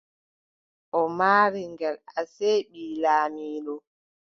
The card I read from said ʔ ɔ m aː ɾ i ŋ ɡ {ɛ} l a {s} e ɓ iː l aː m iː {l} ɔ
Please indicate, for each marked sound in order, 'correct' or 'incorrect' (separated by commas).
correct, correct, correct